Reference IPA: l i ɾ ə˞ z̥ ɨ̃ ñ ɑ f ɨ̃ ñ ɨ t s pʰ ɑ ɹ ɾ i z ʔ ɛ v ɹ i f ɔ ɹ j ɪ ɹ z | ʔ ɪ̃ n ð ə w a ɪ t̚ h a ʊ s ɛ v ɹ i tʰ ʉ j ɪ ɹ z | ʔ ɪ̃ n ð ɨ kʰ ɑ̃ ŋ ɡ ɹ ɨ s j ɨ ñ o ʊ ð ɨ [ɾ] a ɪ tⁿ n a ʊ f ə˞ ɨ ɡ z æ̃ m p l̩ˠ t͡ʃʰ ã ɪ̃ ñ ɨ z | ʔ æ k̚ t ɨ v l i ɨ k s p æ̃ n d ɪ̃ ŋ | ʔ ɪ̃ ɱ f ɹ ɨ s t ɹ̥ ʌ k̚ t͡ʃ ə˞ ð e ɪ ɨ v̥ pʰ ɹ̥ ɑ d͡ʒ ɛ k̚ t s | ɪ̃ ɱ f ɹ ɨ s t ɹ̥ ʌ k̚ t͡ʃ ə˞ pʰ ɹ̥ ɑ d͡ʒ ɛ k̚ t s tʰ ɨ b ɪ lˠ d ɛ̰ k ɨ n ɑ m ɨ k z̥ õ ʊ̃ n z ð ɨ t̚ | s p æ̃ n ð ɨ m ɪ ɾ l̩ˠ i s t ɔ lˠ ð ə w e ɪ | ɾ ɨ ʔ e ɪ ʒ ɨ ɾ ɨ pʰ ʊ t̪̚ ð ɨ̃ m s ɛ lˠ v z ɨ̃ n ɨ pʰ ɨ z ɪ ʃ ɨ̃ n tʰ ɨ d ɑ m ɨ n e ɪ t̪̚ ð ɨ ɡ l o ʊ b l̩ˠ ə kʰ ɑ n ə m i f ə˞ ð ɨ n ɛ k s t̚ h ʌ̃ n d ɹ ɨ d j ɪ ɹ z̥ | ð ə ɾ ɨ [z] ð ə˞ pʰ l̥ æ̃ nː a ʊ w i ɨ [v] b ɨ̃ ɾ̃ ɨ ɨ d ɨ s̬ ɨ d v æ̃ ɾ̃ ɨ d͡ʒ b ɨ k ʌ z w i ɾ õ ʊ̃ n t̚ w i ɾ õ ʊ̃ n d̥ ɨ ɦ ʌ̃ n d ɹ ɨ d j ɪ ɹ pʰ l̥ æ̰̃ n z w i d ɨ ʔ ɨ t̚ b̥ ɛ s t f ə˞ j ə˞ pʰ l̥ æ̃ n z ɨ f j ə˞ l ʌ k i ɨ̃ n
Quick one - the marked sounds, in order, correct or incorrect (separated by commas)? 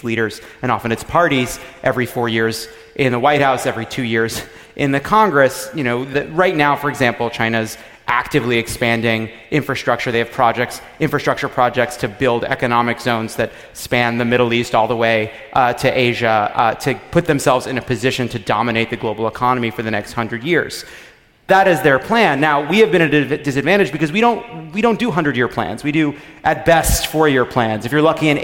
incorrect, correct, correct